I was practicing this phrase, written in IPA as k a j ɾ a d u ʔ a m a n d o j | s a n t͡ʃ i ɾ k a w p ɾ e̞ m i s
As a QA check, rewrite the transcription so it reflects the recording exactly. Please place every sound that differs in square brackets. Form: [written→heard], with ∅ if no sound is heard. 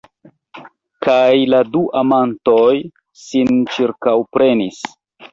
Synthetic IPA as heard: k a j [ɾ→l] a d u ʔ a m a n [d→t] o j | s [a→i] n t͡ʃ i ɾ k a w p ɾ e̞ [m→n] i s